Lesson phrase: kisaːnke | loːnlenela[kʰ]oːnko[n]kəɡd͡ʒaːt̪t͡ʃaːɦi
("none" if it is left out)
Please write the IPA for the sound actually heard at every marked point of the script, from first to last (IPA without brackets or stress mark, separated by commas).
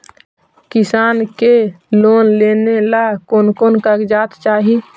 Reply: k, n